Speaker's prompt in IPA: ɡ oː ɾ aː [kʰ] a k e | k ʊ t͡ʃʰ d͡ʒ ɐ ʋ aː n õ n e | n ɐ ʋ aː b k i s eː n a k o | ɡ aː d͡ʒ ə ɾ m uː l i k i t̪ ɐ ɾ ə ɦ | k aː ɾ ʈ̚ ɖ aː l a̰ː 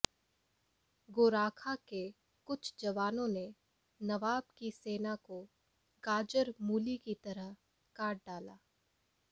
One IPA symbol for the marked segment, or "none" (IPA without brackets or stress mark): kʰ